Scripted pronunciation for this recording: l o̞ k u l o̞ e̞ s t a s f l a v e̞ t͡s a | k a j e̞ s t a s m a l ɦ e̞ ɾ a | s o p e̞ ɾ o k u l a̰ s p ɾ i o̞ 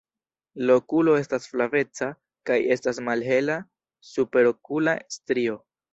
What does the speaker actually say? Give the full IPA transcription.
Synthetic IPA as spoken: l o̞ k u l o̞ e̞ s t a s f l a v e̞ t͡s a | k a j e̞ s t a s m a l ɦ e̞ l a | s u p e̞ ɾ o k u l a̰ s t ɾ i o̞